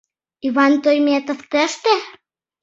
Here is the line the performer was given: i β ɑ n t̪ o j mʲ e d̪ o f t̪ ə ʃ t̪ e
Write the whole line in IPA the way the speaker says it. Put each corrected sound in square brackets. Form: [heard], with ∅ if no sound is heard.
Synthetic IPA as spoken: i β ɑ n t̪ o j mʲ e [t̪] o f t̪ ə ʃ t̪ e